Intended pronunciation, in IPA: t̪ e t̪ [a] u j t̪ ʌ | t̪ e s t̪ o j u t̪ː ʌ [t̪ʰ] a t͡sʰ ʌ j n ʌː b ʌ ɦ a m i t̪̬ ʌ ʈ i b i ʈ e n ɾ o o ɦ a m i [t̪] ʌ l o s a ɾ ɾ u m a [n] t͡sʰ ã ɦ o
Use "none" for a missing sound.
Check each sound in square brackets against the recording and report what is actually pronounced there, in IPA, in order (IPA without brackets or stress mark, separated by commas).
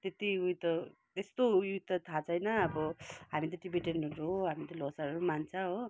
i, t̪ʰ, t̪, n